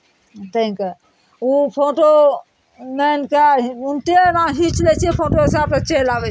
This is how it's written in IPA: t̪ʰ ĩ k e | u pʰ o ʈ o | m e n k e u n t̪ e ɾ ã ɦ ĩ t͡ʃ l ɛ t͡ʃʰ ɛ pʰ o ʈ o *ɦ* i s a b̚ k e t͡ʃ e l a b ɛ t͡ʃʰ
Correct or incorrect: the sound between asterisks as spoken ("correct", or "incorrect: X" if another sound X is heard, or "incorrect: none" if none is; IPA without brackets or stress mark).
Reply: correct